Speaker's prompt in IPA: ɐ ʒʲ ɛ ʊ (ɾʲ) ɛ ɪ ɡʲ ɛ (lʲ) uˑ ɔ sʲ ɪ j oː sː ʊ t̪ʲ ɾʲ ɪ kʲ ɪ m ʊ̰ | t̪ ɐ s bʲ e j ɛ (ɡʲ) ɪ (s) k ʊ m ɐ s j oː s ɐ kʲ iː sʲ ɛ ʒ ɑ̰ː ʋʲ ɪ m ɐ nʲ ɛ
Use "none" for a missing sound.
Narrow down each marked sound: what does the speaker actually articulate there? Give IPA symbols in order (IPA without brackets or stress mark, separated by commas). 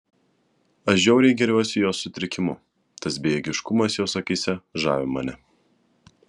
ɾʲ, ɾʲ, ɡʲ, ʃ